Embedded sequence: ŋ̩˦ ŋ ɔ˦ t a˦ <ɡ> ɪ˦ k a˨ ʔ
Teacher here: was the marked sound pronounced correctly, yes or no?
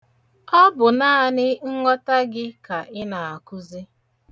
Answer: yes